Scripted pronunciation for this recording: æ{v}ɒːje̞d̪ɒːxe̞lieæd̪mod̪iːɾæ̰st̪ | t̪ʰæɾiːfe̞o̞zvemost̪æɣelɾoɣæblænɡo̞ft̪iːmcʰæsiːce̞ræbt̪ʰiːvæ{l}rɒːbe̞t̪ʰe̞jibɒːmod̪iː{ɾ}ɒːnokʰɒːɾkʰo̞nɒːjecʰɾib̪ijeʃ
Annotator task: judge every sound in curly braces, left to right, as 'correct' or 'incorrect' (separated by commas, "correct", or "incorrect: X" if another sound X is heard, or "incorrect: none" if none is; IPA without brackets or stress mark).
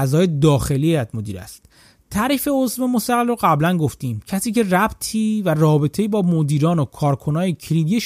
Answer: incorrect: z, incorrect: none, correct